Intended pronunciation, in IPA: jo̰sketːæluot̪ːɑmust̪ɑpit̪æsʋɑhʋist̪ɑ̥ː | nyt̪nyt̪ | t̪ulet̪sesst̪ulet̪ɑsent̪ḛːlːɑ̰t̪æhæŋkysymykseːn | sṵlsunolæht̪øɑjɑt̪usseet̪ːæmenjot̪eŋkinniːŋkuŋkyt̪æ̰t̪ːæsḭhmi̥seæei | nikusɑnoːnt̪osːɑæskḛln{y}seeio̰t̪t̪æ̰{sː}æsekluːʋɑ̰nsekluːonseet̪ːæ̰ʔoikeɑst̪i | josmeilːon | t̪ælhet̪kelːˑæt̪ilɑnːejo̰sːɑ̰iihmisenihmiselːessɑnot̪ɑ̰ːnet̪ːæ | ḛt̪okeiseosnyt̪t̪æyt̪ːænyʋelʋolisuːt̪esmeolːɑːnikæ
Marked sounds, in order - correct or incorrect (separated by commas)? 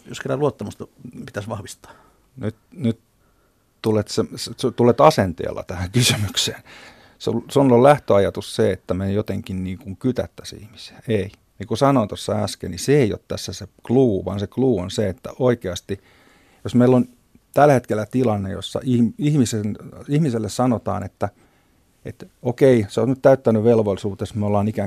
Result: incorrect, correct